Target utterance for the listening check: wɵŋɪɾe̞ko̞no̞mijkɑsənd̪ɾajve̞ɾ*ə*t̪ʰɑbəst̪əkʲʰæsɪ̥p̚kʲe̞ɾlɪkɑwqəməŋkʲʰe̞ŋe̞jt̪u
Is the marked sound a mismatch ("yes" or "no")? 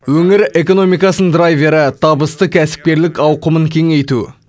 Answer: no